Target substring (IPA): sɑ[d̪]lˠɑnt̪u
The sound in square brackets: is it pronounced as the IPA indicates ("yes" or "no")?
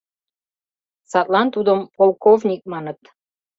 no